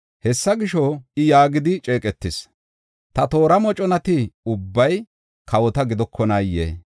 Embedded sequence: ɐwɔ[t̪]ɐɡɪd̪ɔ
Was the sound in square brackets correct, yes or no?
yes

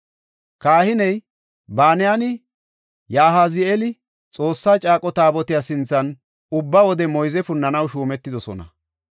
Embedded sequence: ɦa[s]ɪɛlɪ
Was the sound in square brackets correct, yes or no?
no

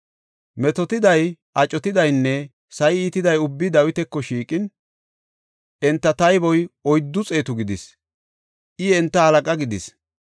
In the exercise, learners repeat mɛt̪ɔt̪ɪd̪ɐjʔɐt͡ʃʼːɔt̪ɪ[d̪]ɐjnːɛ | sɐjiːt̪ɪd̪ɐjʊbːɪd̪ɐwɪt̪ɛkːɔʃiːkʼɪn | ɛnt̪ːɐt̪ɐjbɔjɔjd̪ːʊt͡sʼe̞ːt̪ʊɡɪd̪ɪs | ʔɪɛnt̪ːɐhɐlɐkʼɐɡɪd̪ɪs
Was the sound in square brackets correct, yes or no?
yes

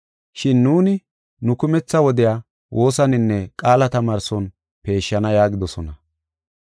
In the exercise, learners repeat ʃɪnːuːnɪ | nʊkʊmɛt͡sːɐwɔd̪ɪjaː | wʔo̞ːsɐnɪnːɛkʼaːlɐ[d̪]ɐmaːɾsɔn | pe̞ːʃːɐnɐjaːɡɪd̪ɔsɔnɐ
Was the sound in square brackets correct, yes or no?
no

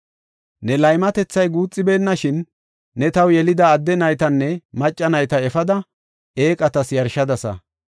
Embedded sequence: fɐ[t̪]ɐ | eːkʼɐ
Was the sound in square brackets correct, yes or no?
no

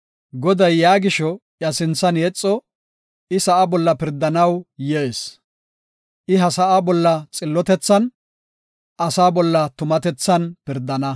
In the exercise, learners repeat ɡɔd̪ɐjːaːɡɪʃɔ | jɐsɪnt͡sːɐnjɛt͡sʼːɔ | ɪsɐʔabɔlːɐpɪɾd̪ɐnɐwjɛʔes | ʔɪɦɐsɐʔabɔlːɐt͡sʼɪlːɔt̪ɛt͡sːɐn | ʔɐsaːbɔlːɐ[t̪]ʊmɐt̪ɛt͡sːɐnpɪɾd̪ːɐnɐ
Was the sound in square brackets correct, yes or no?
yes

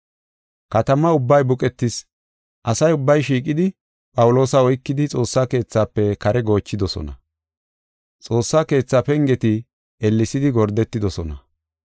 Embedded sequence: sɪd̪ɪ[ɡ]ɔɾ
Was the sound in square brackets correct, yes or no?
yes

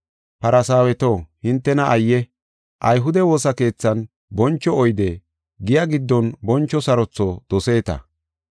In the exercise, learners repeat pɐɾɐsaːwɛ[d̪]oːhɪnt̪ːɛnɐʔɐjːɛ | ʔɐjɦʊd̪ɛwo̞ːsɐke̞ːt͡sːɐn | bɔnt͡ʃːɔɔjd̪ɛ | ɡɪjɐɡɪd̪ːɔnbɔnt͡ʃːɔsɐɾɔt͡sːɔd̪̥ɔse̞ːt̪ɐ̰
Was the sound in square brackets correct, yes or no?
no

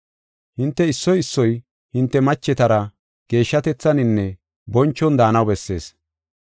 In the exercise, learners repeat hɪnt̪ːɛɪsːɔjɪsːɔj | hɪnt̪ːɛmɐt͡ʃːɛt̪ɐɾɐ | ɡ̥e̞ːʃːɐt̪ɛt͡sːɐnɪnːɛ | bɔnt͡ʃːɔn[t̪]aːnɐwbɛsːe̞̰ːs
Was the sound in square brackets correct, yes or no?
no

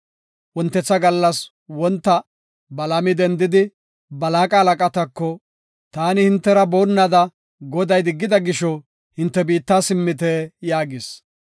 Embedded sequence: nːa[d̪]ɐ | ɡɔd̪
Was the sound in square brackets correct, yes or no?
yes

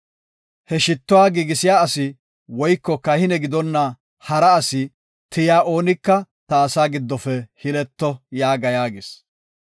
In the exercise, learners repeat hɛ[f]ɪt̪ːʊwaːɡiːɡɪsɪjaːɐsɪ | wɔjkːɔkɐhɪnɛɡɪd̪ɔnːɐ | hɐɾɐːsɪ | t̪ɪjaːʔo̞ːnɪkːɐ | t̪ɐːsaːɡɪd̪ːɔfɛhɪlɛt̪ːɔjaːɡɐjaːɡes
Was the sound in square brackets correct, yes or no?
no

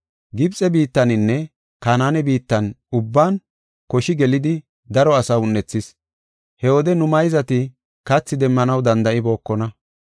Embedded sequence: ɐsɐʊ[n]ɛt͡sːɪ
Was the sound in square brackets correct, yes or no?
no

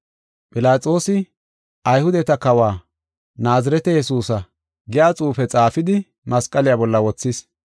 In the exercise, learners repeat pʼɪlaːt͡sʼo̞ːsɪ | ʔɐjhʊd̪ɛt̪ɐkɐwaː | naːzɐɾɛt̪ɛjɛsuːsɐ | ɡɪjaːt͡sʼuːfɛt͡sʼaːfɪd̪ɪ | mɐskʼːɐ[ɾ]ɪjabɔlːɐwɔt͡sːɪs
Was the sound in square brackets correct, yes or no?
no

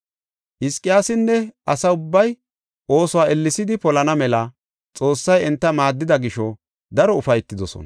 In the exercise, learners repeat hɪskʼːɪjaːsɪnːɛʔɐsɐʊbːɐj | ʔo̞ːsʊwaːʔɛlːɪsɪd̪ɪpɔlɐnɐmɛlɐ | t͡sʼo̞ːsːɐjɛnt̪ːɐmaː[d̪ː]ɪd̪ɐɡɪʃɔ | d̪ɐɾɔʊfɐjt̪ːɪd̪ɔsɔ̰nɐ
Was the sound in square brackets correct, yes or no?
yes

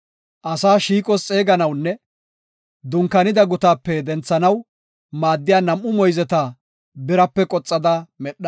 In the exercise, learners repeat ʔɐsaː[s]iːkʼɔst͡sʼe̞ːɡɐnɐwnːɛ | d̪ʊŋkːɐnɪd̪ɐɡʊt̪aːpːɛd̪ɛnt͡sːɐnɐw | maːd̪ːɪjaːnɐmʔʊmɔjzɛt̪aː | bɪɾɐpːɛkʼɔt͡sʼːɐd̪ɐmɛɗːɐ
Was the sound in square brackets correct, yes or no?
no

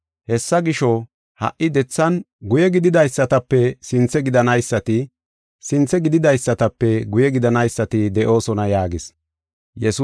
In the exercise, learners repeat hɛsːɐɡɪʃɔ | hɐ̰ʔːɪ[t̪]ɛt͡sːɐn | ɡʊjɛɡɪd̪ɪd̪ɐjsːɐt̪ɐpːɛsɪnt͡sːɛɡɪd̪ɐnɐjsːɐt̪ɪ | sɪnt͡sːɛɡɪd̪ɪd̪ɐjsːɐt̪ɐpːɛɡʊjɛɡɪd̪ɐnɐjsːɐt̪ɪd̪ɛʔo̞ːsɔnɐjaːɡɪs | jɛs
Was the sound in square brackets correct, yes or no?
no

